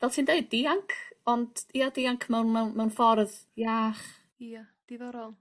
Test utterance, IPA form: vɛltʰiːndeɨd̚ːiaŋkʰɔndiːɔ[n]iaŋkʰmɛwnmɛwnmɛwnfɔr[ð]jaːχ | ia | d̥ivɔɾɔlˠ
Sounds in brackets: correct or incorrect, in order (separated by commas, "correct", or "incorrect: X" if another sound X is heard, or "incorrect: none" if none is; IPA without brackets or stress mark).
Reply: incorrect: d, correct